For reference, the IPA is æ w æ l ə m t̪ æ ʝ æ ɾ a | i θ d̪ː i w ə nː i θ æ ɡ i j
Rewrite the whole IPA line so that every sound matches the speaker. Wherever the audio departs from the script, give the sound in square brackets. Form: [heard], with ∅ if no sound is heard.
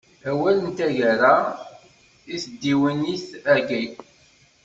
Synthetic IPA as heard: æ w æ l ə [n] t̪ æ ʝ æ ɾ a | i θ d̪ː i w ə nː i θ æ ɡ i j